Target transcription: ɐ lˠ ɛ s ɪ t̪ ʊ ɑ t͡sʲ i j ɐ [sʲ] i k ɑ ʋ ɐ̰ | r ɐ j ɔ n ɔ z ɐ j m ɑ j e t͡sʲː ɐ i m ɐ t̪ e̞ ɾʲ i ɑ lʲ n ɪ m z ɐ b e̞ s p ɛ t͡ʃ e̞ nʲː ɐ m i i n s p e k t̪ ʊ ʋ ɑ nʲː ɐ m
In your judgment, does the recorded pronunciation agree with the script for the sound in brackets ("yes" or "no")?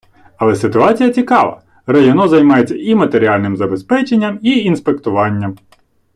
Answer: no